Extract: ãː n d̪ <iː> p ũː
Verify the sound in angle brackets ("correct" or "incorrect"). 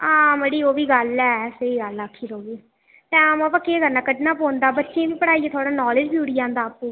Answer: incorrect